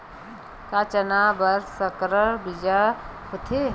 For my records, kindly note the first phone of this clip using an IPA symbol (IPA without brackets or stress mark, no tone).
k